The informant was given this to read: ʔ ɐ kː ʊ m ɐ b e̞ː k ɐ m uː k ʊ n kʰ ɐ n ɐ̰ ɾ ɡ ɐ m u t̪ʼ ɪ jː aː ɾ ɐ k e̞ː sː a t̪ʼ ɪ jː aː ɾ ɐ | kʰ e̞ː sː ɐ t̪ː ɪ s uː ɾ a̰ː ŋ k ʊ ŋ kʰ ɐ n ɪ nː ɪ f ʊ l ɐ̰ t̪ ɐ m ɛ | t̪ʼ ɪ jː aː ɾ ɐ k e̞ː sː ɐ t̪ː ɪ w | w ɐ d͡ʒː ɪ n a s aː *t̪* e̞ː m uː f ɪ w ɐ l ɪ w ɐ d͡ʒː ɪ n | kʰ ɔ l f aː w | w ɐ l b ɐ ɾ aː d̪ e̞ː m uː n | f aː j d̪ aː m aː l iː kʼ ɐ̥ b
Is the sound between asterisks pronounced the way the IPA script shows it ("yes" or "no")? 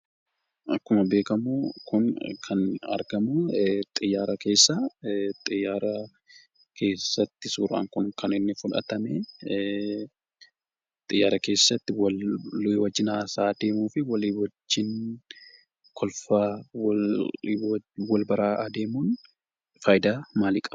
no